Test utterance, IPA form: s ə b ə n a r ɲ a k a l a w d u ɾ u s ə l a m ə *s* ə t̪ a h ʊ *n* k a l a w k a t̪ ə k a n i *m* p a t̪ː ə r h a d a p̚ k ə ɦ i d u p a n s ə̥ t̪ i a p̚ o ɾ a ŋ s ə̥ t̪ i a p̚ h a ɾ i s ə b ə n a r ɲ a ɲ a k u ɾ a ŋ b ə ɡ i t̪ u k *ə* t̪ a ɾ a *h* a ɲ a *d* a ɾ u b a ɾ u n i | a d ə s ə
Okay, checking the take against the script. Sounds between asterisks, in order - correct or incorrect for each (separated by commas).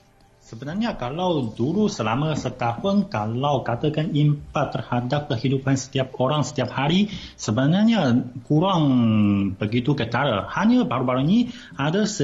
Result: correct, correct, correct, correct, correct, incorrect